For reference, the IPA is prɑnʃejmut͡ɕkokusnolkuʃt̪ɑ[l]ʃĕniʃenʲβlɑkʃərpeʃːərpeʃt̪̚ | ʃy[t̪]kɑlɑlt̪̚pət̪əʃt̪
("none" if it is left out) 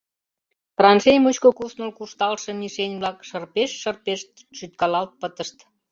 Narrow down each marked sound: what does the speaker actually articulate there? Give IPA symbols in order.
l, t̪

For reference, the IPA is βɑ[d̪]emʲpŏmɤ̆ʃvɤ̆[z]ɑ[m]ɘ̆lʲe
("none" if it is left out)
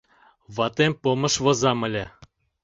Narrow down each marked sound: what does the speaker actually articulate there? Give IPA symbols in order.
t̪, z, m

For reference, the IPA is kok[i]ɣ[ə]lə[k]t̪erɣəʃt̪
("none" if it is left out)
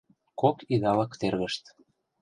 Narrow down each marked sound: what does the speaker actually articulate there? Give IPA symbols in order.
i, ɑ, k

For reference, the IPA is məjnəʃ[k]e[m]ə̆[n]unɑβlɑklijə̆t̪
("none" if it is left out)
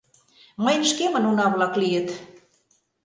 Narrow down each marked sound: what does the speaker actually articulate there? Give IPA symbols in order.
k, m, n

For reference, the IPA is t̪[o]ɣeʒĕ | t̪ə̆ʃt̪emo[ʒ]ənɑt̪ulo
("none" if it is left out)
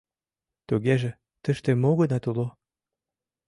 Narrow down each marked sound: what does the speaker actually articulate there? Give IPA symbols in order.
u, ɣ

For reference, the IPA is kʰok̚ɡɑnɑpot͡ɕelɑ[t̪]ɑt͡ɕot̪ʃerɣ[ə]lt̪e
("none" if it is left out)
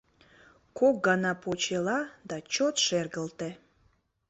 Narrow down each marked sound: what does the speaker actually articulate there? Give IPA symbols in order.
d̪, ə

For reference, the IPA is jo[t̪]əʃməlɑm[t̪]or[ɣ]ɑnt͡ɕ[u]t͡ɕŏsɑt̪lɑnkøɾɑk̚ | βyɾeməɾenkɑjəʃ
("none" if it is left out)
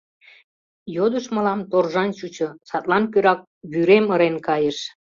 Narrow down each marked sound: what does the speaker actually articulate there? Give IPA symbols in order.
d̪, t̪, ʒ, u

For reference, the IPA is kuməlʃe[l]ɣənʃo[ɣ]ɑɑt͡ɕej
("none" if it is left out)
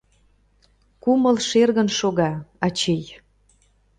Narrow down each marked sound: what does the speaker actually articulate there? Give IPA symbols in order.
r, ɣ

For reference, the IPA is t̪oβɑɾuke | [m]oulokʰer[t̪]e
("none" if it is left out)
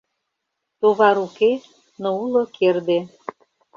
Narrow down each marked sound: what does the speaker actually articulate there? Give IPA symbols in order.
n, d̪

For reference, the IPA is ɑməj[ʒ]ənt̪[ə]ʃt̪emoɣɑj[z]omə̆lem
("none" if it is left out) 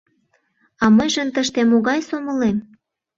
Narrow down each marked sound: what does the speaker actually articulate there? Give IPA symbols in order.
ʒ, ə, s

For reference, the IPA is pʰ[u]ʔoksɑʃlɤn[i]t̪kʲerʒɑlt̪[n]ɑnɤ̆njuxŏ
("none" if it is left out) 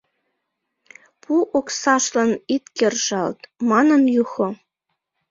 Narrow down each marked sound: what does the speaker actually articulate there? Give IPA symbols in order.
u, i, m

